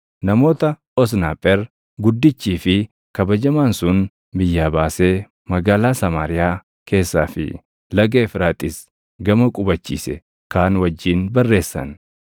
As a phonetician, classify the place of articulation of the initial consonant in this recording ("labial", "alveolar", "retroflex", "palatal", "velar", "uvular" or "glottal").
alveolar